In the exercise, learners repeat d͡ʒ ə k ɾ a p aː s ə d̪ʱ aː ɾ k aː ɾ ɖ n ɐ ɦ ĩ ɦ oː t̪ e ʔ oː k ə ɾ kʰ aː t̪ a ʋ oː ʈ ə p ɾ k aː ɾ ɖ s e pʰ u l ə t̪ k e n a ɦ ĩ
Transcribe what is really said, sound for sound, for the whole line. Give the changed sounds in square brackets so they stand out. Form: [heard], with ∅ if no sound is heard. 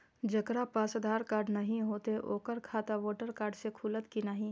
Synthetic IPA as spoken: d͡ʒ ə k ɾ a p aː s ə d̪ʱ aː ɾ k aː ɾ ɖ n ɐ ɦ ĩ ɦ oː t̪ e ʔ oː k ə ɾ kʰ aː t̪ a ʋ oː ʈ ə [∅] ɾ k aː ɾ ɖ s e [kʰ] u l ə t̪ k [i] n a ɦ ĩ

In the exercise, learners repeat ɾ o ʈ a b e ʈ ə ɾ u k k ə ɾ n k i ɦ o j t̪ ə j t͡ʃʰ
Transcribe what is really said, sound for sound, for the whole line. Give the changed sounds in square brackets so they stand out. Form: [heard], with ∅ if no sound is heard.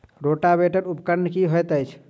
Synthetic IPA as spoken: ɾ o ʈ a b e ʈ ə ɾ u [p] k ə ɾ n k i ɦ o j t̪ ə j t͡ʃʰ

